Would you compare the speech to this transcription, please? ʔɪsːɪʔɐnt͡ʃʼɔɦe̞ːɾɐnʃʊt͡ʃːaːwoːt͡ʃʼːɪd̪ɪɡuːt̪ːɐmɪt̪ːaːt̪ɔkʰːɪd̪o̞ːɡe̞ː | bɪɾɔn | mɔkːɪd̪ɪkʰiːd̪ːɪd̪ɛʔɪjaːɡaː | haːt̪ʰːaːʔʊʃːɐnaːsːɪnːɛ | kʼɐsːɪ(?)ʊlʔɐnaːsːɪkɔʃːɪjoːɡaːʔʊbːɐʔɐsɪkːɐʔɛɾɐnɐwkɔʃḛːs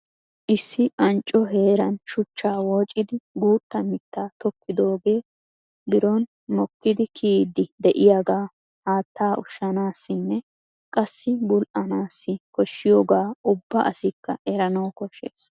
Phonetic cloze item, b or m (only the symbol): b